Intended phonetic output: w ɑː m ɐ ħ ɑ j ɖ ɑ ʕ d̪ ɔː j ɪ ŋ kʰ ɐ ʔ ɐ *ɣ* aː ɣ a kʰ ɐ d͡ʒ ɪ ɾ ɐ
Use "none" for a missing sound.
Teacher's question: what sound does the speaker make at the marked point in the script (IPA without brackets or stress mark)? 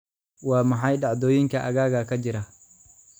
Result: ɣ